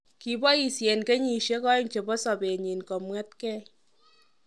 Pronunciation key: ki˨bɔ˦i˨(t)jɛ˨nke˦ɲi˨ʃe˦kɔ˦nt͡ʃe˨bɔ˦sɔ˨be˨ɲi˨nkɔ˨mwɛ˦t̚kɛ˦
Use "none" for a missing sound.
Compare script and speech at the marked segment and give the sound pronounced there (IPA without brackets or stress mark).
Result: s